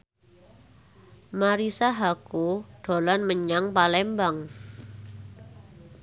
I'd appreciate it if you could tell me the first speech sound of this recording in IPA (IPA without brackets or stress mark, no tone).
m